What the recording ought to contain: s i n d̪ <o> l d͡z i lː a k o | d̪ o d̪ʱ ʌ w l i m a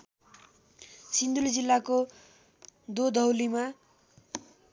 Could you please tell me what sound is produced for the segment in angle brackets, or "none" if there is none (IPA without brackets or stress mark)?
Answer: u